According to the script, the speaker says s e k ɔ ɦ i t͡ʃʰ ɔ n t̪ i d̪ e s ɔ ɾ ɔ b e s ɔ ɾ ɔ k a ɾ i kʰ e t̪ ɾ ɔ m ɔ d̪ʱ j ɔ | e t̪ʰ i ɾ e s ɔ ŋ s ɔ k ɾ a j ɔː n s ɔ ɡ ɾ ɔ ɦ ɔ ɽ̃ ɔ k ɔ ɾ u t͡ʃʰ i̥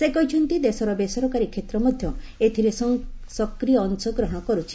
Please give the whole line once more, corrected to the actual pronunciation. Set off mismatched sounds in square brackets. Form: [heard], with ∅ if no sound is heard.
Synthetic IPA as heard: s e k ɔ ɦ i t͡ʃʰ ɔ n t̪ i d̪ e s ɔ ɾ ɔ b e s ɔ ɾ ɔ k a ɾ i kʰ e t̪ ɾ ɔ m ɔ d̪ʱ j ɔ | e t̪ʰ i ɾ e s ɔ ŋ s ɔ k ɾ [i] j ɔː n s ɔ ɡ ɾ ɔ ɦ ɔ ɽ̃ ɔ k ɔ ɾ u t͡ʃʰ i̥

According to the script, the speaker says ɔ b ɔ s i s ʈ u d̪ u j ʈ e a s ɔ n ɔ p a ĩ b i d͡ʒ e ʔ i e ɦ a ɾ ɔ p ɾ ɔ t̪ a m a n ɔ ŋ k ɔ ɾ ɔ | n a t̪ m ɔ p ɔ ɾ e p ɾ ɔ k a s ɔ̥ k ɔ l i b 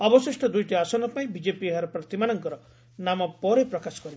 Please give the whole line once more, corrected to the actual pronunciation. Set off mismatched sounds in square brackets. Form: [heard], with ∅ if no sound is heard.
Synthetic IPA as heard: ɔ b ɔ s i s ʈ [ɔ] d̪ u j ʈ [i] a s ɔ n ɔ p a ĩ b i d͡ʒ e [p] i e ɦ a ɾ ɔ p ɾ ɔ t̪ [i] m a n ɔ ŋ k ɔ ɾ ɔ | n a [∅] m ɔ p ɔ ɾ e p ɾ ɔ k a s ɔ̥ k ɔ [ɾ] i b

